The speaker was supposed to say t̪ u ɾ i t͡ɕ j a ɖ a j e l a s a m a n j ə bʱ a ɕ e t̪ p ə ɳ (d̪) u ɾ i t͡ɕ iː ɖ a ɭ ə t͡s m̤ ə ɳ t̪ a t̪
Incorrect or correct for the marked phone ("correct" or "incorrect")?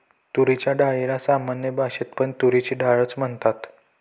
incorrect